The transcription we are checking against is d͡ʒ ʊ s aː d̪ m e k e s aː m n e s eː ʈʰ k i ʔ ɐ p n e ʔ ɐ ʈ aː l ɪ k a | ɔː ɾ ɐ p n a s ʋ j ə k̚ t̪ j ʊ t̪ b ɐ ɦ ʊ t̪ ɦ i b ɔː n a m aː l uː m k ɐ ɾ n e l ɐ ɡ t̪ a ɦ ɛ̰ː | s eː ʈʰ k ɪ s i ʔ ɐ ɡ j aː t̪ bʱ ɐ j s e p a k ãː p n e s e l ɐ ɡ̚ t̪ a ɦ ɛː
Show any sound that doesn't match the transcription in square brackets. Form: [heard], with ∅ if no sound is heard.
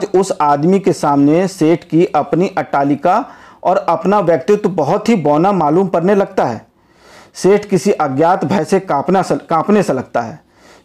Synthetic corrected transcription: d͡ʒ ʊ s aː d̪ m [i] k e s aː m n e s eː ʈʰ k i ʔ ɐ p n [i] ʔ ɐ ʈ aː l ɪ k a | ɔː ɾ ɐ p n a [∅] ʋ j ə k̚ t̪ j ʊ t̪ b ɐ ɦ ʊ t̪ ɦ i b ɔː n a m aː l uː m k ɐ ɾ n e l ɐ ɡ t̪ a ɦ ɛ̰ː | s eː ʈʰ k ɪ s i ʔ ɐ ɡ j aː t̪ bʱ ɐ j s e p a k ãː p n e s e l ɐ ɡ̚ t̪ a ɦ ɛː